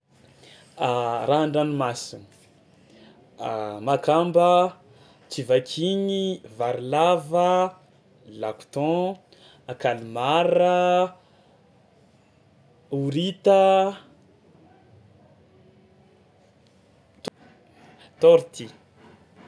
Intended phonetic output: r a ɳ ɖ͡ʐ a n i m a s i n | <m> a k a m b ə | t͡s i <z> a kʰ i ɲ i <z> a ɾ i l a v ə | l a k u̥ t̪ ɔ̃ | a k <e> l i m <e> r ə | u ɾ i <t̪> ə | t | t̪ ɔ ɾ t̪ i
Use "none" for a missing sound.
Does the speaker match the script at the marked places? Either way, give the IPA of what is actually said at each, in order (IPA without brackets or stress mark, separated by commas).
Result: m, v, v, a, a, t̪